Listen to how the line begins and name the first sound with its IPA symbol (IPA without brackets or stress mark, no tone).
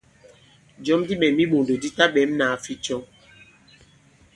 d͡ʒ